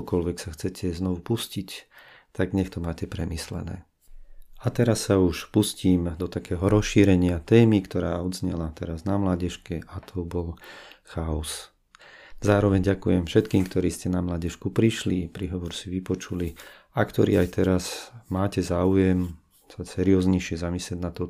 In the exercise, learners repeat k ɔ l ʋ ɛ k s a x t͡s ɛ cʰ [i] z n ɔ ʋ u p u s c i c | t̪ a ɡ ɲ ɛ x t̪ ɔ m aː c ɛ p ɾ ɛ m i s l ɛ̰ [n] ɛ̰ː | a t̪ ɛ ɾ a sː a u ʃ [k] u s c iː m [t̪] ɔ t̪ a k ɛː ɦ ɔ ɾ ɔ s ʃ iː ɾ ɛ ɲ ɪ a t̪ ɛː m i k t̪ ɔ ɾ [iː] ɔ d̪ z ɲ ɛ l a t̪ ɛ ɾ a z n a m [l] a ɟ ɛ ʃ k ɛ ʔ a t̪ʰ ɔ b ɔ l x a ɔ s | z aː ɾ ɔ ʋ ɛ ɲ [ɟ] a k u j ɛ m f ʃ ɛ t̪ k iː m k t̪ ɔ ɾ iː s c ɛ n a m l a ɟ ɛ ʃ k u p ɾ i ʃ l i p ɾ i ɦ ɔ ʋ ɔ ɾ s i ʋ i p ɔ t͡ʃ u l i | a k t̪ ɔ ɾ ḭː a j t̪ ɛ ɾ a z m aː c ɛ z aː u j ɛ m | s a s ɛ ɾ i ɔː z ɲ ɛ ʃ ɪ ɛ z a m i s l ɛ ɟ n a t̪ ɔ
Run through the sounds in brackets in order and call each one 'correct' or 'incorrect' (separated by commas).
incorrect, correct, incorrect, incorrect, incorrect, correct, correct